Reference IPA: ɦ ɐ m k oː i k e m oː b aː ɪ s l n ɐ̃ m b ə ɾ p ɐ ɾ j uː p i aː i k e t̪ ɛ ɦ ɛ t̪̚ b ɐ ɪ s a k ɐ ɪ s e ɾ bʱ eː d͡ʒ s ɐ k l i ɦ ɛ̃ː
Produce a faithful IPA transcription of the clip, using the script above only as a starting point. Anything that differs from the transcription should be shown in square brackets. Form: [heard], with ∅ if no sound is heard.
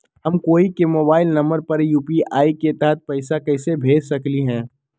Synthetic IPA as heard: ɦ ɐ m k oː i k e m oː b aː ɪ [∅] l n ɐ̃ m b ə ɾ p ɐ ɾ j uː p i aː i k e t̪ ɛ ɦ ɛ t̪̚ [p] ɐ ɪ s a k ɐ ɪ s e [∅] bʱ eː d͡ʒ s ɐ k l i ɦ ɛ̃ː